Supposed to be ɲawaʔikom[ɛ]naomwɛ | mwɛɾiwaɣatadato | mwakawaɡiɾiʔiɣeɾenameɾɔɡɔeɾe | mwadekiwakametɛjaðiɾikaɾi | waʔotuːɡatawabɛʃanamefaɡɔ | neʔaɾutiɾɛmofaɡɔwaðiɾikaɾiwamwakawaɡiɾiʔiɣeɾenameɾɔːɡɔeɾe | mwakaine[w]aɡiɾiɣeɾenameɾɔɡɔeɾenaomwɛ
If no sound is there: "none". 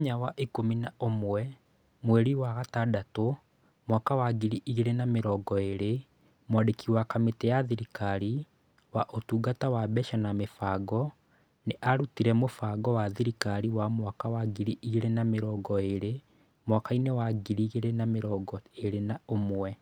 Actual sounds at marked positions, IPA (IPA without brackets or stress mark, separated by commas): i, w